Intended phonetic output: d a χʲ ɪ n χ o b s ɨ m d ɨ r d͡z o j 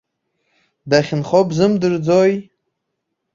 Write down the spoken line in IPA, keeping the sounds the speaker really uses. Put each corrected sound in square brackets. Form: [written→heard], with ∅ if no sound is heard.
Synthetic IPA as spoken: d a χʲ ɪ n χ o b [s→z] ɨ m d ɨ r d͡z o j